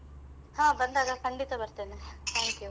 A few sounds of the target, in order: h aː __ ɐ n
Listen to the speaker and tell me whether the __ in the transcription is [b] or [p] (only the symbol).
b